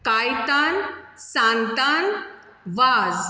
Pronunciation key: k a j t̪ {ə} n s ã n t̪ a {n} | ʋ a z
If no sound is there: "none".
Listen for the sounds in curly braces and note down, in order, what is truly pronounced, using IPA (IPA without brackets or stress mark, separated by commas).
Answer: a, n